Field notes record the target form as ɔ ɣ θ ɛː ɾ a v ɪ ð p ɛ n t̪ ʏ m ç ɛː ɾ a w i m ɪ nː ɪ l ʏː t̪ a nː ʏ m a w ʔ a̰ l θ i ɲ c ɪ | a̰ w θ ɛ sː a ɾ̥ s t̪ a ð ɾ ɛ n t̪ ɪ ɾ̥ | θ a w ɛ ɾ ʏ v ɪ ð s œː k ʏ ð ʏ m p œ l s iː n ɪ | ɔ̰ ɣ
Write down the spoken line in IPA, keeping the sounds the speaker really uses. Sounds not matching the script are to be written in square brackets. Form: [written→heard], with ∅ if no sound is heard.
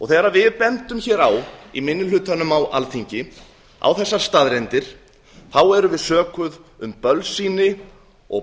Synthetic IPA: ɔ ɣ θ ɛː ɾ a v ɪ ð p ɛ n t̪ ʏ m ç ɛː ɾ a w i m ɪ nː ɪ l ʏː t̪ a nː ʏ m a w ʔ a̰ l θ i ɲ c ɪ | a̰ w θ ɛ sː a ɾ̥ s t̪ a ð ɾ ɛ n t̪ ɪ ɾ̥ | θ a w ɛ ɾ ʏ v ɪ ð s œː k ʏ ð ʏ m p œ l s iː n ɪ | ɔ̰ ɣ